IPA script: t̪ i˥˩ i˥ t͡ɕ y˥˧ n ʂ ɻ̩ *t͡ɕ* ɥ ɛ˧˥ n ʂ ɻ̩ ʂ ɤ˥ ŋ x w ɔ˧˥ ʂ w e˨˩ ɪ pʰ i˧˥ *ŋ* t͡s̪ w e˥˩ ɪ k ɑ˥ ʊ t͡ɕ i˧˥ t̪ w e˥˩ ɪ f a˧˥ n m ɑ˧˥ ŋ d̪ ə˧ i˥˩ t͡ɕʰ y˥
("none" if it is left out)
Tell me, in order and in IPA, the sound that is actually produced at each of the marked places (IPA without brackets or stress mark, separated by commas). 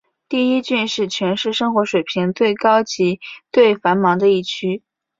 t͡ɕʰ, ŋ